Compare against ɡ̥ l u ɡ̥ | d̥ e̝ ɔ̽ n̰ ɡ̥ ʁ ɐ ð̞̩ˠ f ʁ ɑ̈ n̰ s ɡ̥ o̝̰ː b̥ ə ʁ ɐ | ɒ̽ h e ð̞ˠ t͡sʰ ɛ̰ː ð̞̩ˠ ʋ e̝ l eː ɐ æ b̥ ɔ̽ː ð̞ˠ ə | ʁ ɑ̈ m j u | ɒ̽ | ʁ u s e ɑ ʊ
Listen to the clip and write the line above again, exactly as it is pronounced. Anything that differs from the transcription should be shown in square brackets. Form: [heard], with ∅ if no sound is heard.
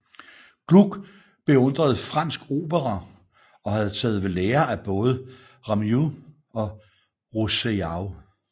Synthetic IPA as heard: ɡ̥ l u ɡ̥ | [b̥] e̝ ɔ̽ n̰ [d̥] ʁ ɐ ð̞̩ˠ f ʁ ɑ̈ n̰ s ɡ̥ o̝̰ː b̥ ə ʁ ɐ | ɒ̽ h [æ] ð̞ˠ t͡sʰ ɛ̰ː ð̞̩ˠ ʋ e̝ l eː ɐ æ b̥ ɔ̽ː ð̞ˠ ə | ʁ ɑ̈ m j u | ɒ̽ | ʁ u s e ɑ ʊ